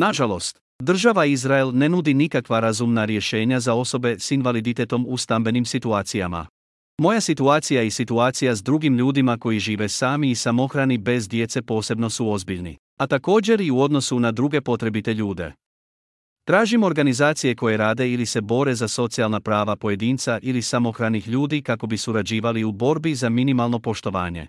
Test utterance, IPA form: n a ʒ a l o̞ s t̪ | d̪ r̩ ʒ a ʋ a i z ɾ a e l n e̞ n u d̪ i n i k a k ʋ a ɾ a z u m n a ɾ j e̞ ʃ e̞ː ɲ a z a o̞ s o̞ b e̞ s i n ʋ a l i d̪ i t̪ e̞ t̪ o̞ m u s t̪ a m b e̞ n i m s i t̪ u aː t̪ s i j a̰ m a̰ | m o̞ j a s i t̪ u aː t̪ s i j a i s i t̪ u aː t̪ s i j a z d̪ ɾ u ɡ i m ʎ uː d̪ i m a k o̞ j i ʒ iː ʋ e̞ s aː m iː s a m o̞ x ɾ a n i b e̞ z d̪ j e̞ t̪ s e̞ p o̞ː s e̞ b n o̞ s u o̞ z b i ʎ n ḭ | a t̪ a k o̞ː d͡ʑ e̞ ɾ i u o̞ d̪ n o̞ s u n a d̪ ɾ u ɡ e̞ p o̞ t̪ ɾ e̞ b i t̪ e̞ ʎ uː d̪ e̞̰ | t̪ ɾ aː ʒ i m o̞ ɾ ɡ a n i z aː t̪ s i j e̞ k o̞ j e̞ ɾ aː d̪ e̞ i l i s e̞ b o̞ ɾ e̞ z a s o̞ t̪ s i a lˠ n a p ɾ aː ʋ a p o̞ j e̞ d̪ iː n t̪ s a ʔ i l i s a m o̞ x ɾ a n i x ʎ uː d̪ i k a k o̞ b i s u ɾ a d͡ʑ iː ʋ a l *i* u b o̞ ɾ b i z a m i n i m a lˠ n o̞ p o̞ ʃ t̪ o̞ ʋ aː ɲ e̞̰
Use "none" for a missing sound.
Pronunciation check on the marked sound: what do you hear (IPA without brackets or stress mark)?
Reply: i